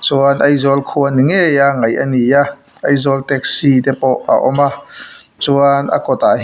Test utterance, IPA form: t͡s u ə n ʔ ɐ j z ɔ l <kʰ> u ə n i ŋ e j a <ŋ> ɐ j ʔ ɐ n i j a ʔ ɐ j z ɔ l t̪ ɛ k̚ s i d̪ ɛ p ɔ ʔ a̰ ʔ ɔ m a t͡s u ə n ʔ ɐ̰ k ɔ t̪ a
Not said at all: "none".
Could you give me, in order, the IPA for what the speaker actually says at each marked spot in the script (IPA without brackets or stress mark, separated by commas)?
kʰ, ŋ